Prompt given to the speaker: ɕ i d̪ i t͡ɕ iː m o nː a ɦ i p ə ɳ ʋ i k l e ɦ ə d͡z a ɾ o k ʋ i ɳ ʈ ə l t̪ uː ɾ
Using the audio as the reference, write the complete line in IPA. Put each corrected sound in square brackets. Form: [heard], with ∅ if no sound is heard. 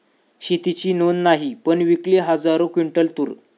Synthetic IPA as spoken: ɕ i [t̪] i t͡ɕ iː [n] o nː a ɦ i p ə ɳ ʋ i k l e ɦ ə d͡z a ɾ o k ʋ i ɳ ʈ ə l t̪ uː ɾ